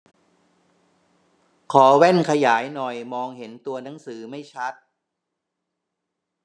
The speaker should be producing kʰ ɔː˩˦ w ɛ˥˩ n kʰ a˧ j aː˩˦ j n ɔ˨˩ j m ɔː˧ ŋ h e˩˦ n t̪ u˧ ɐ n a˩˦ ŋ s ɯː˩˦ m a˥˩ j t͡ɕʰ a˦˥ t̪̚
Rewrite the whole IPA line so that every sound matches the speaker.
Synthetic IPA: kʰ ɔː˩˦ w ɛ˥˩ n kʰ a˧ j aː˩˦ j n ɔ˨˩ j m ɔː˧ ŋ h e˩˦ n t̪ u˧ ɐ n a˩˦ ŋ s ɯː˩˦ m a˥˩ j t͡ɕʰ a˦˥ t̪̚